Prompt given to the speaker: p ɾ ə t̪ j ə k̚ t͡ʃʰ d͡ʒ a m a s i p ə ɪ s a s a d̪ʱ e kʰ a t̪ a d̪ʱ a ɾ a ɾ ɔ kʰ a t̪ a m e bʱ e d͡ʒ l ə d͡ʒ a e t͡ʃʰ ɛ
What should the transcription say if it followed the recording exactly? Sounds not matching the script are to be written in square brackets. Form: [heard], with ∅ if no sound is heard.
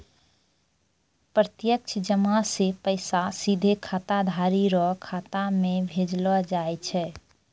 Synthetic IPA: p ɾ ə t̪ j ə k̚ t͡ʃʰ d͡ʒ [ə] m a s [e] p ə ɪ s a s [i] d̪ʱ e kʰ a t̪ a d̪ʱ a ɾ [i] ɾ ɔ kʰ a t̪ a m e bʱ e d͡ʒ l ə d͡ʒ a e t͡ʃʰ ɛ